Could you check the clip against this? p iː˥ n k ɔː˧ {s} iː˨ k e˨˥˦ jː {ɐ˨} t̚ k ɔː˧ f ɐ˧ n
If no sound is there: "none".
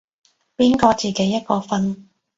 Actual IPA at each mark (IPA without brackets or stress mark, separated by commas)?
t͡s, ɐ˥